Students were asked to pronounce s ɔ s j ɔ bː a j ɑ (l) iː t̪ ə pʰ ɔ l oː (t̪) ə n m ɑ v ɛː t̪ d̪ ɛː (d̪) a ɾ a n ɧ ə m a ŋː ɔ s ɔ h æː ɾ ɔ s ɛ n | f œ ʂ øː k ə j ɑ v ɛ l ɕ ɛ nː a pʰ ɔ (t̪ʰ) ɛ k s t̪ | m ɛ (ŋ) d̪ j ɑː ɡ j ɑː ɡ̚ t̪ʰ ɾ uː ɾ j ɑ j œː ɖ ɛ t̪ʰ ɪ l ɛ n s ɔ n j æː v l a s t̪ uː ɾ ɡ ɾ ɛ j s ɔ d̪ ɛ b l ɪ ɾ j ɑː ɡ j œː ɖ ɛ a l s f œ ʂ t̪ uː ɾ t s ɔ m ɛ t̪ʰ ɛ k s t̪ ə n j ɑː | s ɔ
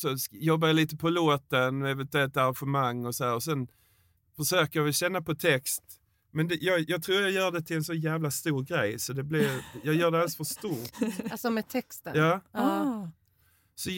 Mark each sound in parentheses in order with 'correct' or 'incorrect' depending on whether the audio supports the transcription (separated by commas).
correct, correct, incorrect, correct, incorrect